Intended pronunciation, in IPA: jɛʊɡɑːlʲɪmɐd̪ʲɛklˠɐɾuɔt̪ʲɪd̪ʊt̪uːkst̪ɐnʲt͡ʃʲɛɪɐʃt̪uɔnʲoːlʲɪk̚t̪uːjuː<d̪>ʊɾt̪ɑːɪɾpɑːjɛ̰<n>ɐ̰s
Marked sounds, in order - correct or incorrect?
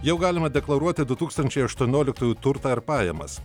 incorrect: t̪, incorrect: m

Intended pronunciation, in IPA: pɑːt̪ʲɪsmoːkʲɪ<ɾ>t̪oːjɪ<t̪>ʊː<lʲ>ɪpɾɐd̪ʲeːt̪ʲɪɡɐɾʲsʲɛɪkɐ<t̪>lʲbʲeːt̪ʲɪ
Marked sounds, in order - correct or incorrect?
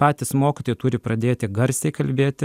incorrect: none, correct, incorrect: ɾʲ, incorrect: none

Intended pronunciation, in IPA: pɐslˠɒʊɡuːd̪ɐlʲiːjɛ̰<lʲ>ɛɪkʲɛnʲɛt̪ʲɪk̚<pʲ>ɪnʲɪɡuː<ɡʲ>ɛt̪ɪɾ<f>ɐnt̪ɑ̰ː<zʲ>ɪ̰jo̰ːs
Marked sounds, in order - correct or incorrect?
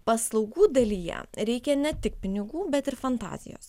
incorrect: ɾʲ, correct, incorrect: bʲ, correct, correct

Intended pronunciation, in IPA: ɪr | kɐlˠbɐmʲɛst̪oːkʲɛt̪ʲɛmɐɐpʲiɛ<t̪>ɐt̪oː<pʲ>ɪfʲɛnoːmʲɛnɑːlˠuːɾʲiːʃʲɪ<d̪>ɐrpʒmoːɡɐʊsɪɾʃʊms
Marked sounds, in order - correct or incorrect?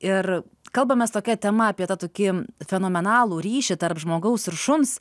correct, incorrect: kʲ, incorrect: t̪

